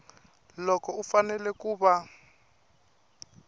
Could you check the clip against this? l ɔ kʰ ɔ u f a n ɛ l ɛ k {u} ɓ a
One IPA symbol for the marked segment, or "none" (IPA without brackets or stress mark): uː